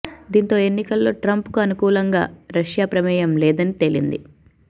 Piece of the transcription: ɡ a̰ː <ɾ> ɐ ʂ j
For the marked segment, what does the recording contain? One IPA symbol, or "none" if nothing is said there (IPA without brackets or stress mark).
ɾ